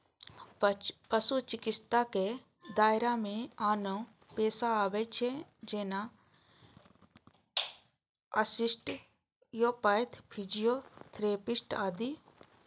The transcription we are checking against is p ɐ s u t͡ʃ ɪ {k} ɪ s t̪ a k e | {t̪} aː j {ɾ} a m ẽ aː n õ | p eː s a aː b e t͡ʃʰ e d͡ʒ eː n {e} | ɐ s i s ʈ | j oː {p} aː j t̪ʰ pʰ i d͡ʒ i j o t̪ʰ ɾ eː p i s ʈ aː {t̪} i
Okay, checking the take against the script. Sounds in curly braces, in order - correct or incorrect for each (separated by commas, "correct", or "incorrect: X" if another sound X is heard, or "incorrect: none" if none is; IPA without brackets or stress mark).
correct, incorrect: d̪, correct, incorrect: a, correct, incorrect: d̪